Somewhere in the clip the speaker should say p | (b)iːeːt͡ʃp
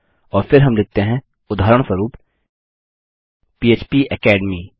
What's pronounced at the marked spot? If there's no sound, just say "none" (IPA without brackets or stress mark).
p